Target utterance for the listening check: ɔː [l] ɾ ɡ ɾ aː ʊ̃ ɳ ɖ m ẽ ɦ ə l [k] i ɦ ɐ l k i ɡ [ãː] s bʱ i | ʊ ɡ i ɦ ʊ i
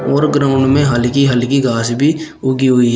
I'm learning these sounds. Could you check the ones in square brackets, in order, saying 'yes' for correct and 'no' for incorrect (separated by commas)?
no, yes, no